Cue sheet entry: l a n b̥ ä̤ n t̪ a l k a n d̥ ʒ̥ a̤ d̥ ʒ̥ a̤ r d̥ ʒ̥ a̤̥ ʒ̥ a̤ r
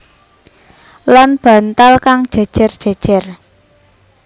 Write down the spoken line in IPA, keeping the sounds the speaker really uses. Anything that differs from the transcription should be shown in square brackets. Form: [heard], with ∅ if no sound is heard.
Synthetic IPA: l a n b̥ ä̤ n t̪ a l k a [ŋ] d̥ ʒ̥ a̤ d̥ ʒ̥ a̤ r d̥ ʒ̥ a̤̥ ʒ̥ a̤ r